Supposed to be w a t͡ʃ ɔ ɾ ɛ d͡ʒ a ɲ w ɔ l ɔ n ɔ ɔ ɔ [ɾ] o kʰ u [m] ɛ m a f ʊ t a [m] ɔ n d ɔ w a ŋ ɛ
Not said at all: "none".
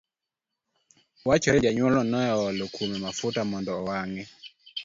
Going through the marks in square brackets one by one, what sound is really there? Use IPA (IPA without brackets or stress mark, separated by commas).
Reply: l, m, m